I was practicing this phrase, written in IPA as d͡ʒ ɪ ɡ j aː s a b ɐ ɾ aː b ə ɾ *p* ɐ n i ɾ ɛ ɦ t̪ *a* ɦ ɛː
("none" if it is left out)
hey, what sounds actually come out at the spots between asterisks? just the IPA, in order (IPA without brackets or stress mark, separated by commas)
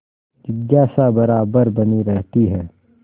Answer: b, i